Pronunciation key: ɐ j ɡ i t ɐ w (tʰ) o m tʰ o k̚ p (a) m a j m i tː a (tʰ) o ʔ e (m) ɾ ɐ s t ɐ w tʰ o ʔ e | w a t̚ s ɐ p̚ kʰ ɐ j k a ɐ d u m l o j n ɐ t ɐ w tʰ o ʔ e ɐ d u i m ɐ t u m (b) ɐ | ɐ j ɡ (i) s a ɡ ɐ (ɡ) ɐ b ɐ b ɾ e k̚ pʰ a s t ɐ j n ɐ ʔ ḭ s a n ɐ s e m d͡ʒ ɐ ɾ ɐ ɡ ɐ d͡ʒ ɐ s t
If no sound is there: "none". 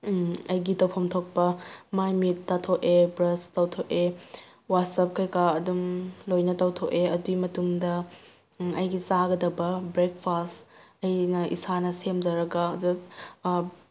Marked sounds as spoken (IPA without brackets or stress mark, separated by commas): pʰ, ɐ, tʰ, b, d, i, d